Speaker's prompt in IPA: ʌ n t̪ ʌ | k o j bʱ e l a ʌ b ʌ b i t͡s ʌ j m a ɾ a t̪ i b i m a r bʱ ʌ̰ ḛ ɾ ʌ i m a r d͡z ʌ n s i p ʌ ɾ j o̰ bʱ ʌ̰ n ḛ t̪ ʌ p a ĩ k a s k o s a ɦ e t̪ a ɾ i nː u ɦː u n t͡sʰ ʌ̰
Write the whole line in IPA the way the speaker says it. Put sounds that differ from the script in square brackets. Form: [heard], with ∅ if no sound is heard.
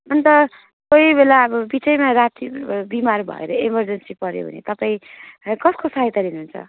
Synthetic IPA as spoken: ʌ n t̪ ʌ | k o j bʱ e l a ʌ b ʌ b i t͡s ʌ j m a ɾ a t̪ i b i m a r bʱ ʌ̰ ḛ ɾ ʌ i m [ʌ] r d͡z ʌ n s i p ʌ ɾ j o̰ bʱ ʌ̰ n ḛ t̪ ʌ p a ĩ k [ʌ] s k o s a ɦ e t̪ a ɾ i [n] u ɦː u n t͡sʰ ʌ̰